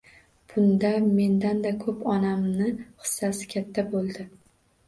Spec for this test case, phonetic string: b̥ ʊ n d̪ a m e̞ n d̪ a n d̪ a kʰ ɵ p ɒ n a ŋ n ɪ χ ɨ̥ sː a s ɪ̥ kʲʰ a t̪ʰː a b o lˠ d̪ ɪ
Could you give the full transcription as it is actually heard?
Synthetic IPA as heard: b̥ ʊ n d̪ a m e̞ n d̪ a n d̪ a kʰ ɵ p ɒ n a m n ɪ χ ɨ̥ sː a s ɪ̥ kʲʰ a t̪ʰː a b o lˠ d̪ ɪ